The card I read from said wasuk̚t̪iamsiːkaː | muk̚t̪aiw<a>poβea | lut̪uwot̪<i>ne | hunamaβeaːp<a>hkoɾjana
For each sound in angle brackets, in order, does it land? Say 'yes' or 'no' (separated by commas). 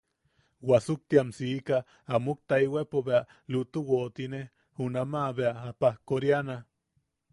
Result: no, yes, yes